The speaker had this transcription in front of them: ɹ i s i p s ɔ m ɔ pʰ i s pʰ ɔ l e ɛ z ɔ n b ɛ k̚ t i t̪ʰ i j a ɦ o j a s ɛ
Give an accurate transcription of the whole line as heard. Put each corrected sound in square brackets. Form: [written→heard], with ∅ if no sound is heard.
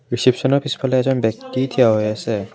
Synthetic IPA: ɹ i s i p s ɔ [m→n] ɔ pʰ i s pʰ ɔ l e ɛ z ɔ n b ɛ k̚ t i t̪ʰ i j a ɦ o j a s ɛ